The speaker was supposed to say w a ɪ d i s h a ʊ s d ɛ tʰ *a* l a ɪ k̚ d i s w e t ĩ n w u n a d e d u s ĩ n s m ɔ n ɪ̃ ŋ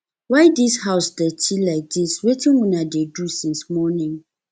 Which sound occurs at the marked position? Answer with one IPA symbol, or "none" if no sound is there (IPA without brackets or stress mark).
i